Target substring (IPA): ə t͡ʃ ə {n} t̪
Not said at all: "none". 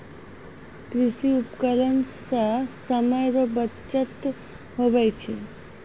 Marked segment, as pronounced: none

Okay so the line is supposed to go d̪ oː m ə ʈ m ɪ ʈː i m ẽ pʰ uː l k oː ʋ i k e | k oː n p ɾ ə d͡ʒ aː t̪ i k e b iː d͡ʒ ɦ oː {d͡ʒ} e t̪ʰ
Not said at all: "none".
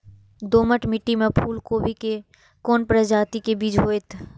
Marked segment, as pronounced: none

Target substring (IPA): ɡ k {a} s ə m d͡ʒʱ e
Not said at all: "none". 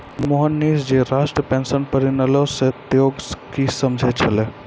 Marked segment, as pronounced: i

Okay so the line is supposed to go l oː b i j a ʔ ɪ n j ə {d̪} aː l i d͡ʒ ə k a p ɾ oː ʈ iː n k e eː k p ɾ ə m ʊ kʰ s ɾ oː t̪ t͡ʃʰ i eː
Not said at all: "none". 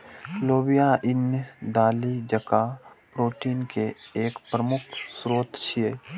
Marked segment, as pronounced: d̪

